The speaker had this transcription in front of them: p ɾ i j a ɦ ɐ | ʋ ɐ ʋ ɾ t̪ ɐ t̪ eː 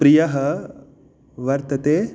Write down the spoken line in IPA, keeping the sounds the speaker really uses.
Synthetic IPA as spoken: p ɾ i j ɐ ɦ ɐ | ʋ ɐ ɾ t̪ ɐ t̪ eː